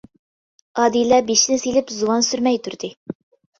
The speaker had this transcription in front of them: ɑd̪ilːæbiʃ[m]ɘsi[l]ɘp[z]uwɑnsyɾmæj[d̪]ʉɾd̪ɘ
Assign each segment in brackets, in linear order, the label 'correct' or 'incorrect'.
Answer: incorrect, correct, correct, incorrect

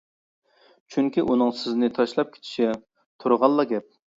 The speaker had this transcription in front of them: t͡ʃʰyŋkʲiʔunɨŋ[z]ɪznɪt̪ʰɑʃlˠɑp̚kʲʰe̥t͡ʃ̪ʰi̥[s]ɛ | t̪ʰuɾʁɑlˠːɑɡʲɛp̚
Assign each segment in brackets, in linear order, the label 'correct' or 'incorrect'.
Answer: incorrect, incorrect

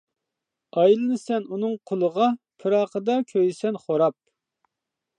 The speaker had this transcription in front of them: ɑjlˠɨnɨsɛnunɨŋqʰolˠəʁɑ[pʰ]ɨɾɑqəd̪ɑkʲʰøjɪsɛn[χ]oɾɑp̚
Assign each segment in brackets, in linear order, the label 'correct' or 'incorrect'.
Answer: correct, correct

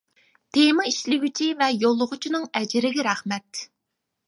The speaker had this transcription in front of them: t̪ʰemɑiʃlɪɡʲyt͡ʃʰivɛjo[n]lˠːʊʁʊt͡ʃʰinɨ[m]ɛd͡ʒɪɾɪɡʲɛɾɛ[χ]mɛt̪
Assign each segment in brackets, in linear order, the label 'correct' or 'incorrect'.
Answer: incorrect, incorrect, correct

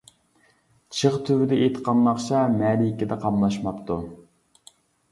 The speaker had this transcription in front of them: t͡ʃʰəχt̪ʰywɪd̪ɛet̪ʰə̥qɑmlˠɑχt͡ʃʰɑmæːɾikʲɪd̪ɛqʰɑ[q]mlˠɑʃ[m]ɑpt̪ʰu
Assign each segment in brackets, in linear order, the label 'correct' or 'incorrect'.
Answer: incorrect, correct

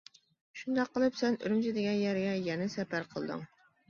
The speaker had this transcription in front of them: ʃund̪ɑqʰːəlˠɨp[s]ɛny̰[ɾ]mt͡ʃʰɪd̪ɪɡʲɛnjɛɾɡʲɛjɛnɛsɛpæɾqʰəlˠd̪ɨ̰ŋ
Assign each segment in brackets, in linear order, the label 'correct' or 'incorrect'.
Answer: correct, correct

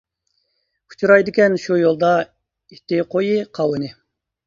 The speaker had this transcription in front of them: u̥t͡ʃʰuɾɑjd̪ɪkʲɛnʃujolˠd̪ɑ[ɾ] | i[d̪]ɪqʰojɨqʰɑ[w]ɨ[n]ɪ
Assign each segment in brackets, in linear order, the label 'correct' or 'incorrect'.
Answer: incorrect, incorrect, correct, correct

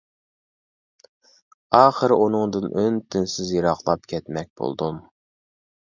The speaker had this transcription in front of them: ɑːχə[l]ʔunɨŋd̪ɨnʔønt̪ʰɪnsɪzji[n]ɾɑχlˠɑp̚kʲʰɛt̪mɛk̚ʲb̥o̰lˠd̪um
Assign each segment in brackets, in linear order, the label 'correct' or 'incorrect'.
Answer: incorrect, incorrect

